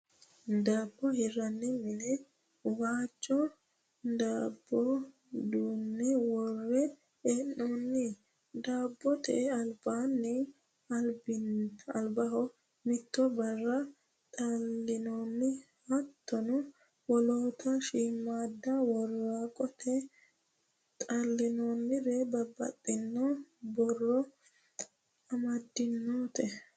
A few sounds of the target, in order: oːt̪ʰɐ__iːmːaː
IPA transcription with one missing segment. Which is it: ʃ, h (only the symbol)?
ʃ